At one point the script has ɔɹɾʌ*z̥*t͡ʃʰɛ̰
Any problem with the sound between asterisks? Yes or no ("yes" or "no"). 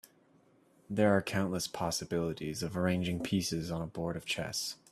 yes